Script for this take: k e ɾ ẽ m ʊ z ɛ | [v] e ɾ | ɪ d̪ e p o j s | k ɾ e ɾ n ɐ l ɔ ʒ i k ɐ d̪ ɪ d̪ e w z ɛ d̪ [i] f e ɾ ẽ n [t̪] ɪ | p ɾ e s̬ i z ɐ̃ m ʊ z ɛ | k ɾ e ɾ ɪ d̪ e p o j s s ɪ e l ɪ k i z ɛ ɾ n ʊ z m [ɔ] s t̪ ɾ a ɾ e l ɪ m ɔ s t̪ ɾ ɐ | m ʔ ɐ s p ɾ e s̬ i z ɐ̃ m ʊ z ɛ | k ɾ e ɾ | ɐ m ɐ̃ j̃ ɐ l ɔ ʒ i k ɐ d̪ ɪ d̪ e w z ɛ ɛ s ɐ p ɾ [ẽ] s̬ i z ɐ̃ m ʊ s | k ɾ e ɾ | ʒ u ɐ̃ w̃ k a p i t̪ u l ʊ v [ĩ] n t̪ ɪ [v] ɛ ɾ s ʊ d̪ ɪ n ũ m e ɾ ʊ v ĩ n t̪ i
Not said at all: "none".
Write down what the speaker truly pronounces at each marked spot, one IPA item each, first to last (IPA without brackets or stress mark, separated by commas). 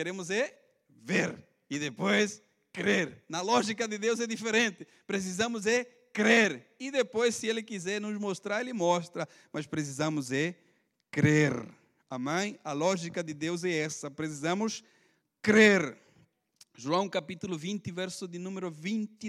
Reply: v, i, t̪, o, e, ĩ, v